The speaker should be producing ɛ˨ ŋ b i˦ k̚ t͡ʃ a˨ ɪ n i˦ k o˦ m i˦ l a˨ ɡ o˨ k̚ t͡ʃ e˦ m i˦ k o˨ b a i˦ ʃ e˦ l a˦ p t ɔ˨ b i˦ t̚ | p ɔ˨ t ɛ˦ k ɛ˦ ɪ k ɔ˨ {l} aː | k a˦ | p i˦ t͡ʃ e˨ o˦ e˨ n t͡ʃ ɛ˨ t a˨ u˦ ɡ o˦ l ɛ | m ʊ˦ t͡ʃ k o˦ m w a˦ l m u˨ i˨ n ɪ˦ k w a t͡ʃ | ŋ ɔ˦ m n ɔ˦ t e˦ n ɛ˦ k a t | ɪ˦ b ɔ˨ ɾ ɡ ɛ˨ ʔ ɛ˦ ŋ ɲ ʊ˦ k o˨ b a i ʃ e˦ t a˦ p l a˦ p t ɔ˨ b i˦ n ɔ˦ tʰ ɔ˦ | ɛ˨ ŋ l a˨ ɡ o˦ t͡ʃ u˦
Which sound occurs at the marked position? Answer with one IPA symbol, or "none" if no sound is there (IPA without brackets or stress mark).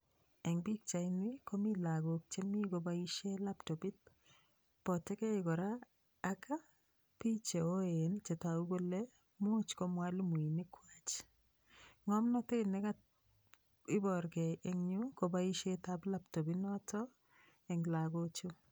ɾ